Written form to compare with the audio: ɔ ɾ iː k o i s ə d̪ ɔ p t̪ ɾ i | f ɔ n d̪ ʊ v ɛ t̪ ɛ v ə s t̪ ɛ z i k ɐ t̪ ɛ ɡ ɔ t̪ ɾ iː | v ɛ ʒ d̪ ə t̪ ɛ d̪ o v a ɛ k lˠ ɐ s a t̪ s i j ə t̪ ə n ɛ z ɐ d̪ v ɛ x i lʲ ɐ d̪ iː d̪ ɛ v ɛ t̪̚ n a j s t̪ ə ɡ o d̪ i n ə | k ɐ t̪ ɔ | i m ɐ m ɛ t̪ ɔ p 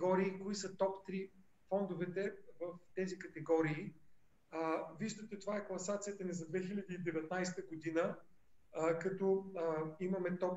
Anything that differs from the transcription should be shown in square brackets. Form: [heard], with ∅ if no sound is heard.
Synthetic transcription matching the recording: ɔ ɾ iː k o i s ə [t̪] ɔ p t̪ ɾ i | f ɔ n d̪ ʊ v ɛ t̪ ɛ v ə [f] t̪ ɛ z i k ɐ t̪ ɛ ɡ ɔ [∅] ɾ iː | v [i] ʒ d̪ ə t̪ ɛ [t̪] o v a ɛ k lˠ ɐ s a t̪ s i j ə t̪ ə n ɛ z ɐ d̪ v ɛ x i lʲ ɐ d̪ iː d̪ ɛ v ɛ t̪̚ n a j s t̪ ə ɡ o d̪ i n ə | k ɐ t̪ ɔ | i m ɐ m ɛ t̪ ɔ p